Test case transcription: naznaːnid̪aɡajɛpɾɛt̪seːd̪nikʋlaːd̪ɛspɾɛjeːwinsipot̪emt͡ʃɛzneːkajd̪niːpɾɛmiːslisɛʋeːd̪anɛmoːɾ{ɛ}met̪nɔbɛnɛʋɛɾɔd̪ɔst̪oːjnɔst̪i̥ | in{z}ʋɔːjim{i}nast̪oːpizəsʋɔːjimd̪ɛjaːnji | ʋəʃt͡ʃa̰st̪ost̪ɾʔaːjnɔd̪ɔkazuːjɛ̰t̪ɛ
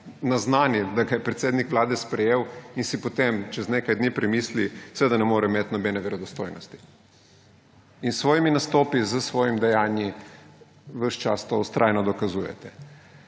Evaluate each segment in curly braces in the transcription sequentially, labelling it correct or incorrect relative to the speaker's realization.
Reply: correct, incorrect: s, correct

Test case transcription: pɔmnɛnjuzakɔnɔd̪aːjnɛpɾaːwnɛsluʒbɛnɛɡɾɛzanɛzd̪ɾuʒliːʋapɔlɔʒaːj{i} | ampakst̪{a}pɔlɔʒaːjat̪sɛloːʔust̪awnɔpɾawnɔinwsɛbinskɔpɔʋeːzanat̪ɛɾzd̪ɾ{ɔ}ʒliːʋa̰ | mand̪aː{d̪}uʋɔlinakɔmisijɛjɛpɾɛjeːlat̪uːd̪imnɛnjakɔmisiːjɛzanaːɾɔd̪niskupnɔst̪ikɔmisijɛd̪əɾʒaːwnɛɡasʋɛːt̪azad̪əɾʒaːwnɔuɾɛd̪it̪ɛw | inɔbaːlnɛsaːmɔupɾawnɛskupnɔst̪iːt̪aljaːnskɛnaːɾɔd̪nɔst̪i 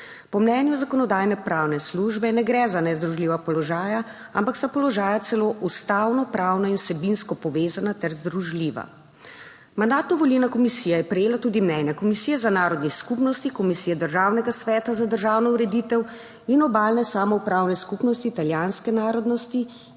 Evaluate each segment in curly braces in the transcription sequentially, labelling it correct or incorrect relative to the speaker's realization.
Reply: incorrect: a, correct, incorrect: u, incorrect: t̪

